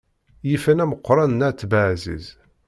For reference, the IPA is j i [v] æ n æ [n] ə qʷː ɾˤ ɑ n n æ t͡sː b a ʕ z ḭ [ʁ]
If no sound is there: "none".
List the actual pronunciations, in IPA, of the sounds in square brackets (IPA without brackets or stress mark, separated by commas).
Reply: f, m, z